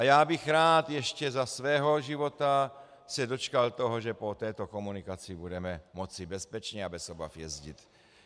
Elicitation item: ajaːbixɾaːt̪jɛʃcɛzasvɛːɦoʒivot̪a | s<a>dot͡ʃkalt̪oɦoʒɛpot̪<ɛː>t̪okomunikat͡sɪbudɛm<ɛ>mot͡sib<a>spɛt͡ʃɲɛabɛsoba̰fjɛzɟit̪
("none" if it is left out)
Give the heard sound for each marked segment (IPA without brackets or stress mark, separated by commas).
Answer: ɛ, ɛː, ɛ, ɛ